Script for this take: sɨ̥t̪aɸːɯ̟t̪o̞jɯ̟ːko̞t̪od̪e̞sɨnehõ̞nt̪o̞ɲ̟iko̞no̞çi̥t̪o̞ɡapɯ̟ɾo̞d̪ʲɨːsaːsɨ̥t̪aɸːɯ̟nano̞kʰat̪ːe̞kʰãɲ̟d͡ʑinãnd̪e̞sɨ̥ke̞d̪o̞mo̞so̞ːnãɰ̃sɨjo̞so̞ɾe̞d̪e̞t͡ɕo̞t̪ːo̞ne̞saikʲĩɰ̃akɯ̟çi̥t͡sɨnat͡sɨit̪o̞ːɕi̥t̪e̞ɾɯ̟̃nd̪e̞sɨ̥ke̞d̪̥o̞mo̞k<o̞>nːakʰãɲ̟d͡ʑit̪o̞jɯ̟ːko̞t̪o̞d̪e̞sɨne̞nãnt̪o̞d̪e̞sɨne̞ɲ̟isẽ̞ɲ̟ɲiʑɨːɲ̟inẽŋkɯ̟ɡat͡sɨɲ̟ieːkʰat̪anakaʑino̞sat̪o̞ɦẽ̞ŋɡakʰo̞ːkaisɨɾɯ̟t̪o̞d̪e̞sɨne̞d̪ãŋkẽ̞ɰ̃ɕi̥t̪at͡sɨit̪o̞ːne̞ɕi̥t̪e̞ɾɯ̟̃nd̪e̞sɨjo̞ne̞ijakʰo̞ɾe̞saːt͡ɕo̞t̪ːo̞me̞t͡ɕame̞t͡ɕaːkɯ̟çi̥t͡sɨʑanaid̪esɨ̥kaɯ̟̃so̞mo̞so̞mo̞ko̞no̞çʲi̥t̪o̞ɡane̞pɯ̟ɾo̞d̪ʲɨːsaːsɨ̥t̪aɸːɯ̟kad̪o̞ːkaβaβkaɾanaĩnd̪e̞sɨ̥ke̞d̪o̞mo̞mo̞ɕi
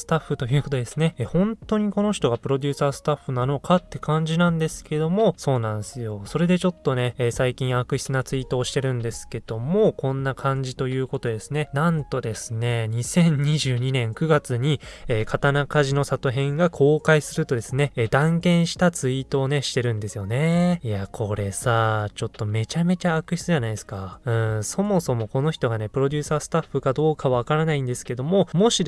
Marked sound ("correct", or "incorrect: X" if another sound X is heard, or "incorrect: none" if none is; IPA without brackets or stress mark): incorrect: õ̞